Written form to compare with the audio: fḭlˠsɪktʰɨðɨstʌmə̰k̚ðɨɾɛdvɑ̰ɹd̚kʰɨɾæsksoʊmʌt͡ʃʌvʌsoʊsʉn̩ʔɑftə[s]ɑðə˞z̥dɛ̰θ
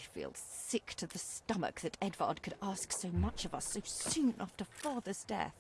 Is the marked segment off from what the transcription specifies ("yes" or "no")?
yes